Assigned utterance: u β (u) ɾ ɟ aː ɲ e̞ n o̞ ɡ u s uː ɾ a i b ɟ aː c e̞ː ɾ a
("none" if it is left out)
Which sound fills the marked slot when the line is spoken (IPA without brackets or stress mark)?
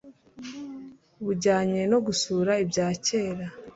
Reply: u